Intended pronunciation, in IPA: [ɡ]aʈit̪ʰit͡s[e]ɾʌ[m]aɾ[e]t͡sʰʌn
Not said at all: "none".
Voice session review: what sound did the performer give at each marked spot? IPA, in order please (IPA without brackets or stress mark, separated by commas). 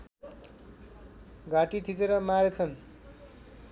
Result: ɡ, e, m, e